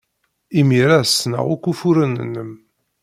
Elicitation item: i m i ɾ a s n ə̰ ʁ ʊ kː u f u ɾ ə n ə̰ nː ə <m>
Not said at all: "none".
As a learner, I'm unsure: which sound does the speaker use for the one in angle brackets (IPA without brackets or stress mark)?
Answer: m